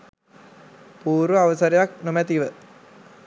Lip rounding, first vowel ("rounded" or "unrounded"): rounded